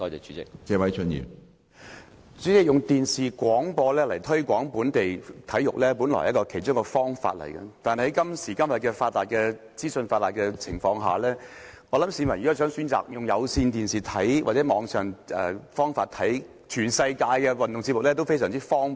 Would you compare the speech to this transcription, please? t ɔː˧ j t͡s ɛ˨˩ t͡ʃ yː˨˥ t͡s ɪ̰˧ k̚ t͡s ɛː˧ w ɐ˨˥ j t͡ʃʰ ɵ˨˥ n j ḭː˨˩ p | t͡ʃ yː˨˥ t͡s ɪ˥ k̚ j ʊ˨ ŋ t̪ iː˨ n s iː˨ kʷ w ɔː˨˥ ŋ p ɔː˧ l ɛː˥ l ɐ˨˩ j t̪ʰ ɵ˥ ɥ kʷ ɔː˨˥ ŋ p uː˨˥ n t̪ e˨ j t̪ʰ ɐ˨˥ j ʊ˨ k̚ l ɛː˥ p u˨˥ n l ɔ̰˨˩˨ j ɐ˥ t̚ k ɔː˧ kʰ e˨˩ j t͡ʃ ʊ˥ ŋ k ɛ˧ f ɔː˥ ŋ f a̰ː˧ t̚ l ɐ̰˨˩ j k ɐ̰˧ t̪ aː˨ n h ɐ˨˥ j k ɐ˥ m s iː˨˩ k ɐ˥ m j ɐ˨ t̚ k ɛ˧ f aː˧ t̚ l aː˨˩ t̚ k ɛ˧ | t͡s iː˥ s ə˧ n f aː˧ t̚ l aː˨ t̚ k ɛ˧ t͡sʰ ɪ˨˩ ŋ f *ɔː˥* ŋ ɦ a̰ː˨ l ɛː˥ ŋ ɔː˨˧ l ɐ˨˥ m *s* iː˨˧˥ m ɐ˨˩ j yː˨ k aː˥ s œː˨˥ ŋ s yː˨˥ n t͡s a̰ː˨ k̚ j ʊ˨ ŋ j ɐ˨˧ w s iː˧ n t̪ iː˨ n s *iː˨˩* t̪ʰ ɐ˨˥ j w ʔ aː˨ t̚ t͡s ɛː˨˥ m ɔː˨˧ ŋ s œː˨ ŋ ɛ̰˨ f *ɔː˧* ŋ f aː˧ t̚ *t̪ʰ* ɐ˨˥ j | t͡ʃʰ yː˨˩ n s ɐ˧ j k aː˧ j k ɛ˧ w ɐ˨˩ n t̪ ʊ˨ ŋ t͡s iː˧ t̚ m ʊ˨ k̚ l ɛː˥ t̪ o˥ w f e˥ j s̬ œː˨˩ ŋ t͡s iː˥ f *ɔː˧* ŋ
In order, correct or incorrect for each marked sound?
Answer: incorrect: ɔː˧, correct, correct, incorrect: ɔː˥, correct, incorrect: ɔː˥

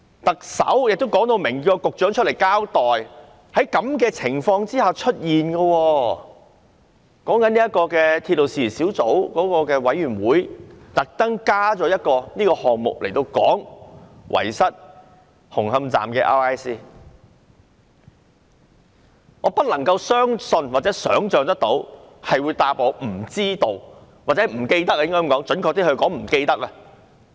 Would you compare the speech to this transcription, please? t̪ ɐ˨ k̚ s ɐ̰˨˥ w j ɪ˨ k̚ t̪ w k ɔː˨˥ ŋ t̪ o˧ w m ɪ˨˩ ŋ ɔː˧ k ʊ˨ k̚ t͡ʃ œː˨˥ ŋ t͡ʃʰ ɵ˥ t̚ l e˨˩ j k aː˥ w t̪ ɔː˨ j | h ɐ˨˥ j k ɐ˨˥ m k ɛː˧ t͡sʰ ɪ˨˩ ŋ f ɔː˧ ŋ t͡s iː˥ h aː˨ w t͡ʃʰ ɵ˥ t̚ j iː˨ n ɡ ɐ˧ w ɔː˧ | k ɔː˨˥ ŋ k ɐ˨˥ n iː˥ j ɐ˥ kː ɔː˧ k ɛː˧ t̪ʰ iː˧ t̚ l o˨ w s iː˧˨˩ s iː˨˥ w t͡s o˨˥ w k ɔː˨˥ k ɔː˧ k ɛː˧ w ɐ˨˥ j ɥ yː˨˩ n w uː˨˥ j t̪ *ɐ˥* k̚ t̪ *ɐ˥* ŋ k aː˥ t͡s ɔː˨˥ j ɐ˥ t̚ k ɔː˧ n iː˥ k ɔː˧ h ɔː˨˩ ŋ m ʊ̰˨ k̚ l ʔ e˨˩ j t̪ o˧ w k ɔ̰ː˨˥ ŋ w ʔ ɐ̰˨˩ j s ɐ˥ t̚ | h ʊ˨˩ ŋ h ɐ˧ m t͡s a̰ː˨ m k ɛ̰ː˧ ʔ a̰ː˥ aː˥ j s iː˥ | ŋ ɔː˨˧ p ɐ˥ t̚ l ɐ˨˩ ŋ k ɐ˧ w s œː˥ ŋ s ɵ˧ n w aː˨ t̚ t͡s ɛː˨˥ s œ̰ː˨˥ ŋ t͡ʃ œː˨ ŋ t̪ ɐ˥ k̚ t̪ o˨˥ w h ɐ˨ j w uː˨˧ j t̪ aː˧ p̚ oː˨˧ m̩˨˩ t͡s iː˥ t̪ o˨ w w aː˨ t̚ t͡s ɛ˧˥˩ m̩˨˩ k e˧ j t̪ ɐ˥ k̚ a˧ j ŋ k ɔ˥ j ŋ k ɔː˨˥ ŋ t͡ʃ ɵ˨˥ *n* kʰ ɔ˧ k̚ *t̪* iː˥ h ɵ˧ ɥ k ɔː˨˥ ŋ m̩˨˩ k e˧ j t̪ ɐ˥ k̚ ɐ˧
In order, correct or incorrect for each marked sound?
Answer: incorrect: ɐ˨, correct, correct, correct

